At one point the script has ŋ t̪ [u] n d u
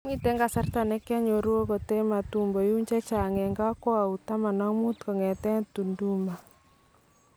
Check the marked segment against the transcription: correct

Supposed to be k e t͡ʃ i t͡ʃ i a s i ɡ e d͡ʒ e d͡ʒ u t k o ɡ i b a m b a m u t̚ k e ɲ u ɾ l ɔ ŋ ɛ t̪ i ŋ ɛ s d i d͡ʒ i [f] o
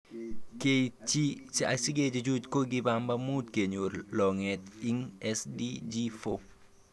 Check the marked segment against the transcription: correct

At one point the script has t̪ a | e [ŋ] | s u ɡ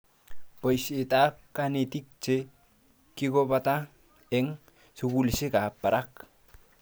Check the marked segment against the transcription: correct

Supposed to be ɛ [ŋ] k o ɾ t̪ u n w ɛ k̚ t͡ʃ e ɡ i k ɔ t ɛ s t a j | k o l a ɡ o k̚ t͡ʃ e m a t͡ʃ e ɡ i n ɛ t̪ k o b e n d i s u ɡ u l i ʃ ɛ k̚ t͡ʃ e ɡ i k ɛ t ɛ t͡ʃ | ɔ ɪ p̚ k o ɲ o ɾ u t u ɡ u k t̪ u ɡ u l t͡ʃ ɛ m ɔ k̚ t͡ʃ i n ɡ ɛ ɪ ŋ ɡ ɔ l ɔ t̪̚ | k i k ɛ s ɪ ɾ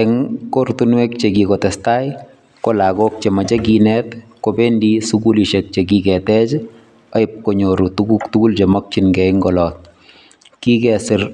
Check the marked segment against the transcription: correct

